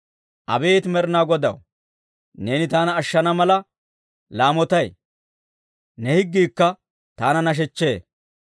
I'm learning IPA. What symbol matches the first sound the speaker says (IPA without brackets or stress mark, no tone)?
ʔ